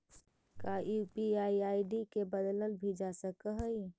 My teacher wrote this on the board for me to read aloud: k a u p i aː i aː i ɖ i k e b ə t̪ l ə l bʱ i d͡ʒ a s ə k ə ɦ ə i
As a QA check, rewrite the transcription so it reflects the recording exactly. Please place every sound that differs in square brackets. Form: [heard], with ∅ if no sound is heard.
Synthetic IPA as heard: k a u p i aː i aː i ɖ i k e b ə [d̪] l ə l bʱ i d͡ʒ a s ə k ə ɦ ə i